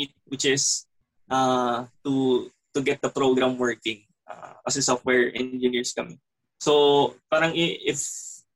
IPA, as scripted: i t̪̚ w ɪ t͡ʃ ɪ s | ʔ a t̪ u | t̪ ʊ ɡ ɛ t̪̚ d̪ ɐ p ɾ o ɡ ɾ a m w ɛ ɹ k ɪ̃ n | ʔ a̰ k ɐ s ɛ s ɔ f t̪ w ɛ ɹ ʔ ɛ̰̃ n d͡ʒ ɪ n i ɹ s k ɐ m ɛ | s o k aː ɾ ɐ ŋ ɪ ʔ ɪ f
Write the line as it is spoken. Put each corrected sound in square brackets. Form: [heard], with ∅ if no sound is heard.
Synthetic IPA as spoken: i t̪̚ w ɪ t͡ʃ ɪ s | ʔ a t̪ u | t̪ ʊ ɡ ɛ t̪̚ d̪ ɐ p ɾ o ɡ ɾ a m w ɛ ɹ k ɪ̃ [ŋ] | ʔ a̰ k ɐ s ɛ s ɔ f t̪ w ɛ ɹ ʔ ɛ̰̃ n d͡ʒ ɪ n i ɹ s k ɐ m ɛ | s o [p] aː ɾ ɐ ŋ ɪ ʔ ɪ f